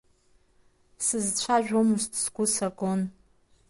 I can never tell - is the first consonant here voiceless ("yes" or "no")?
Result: yes